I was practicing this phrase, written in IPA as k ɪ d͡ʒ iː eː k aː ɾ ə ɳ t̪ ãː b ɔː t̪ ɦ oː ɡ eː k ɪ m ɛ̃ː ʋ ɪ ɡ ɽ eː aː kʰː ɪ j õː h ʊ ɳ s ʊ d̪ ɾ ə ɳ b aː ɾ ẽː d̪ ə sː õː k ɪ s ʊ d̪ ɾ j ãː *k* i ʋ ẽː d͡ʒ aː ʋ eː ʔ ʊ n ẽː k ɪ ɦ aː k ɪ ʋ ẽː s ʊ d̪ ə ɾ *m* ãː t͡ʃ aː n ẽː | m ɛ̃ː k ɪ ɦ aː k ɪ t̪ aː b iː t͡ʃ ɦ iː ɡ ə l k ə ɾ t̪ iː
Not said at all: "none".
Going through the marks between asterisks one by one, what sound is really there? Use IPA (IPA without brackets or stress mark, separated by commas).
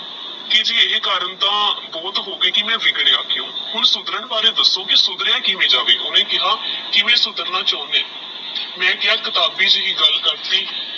k, n